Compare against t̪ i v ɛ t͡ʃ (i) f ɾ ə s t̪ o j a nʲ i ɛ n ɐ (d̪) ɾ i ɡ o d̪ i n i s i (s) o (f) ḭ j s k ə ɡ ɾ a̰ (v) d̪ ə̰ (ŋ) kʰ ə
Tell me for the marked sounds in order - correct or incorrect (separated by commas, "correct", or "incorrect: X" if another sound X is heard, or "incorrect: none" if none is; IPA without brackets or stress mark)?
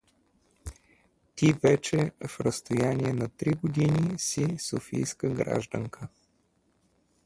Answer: incorrect: ɛ, incorrect: t̪, correct, correct, incorrect: ʒ, correct